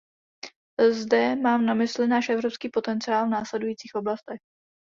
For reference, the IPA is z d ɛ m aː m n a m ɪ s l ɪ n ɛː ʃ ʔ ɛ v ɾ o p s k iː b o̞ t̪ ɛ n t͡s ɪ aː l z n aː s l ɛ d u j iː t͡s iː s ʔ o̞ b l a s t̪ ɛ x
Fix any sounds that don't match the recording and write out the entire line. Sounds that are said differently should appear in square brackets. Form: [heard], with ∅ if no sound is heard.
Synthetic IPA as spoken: z d ɛ m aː m n a m ɪ s l ɪ n [aː] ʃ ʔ ɛ v ɾ o p s k iː [p] o̞ t̪ ɛ n t͡s ɪ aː l [v] n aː s l ɛ d u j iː t͡s iː [x] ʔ o̞ b l a s t̪ ɛ x